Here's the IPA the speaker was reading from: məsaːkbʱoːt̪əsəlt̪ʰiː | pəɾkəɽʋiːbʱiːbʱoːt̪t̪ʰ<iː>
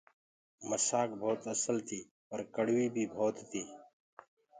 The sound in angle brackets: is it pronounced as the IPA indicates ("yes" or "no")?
yes